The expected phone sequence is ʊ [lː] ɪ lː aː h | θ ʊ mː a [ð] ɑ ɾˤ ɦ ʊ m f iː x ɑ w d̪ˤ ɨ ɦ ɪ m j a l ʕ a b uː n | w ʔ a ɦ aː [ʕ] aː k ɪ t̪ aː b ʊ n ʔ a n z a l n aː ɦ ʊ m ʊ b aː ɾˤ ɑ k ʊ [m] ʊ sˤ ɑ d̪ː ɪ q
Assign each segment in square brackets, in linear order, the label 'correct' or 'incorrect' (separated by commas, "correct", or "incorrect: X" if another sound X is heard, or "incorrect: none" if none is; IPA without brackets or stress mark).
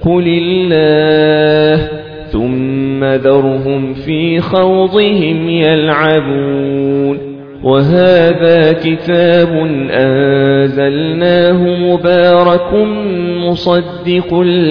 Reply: incorrect: l, correct, incorrect: ð, correct